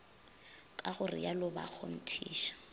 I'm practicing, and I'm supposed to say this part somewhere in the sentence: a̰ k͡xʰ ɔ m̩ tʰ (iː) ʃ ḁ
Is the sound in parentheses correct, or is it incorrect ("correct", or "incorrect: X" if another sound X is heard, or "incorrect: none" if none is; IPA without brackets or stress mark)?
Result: correct